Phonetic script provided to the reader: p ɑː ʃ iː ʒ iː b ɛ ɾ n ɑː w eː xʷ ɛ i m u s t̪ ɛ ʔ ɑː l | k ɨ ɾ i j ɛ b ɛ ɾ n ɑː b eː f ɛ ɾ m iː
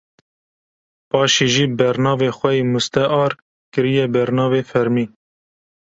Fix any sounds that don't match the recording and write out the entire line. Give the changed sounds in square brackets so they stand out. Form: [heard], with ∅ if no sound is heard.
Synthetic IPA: p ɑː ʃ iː ʒ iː b ɛ ɾ n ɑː [v] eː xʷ ɛ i m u s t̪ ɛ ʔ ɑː [ɾ] | k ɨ ɾ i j ɛ b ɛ ɾ n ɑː [v] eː f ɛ ɾ m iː